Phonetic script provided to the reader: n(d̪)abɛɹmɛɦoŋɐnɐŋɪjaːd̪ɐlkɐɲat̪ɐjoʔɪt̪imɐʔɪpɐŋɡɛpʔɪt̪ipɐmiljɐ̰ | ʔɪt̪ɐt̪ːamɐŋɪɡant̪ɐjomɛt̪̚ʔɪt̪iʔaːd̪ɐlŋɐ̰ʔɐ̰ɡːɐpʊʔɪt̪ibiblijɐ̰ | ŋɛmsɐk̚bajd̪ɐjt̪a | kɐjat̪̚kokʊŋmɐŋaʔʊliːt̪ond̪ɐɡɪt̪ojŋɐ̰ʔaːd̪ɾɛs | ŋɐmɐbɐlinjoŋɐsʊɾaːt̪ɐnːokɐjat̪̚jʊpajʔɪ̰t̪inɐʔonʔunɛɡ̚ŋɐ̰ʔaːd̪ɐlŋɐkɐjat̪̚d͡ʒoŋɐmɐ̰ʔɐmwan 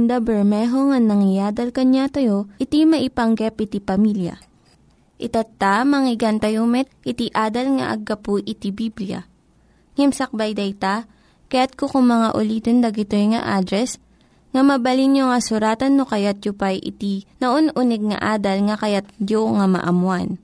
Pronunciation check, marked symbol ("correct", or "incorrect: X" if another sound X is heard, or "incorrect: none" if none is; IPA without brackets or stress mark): correct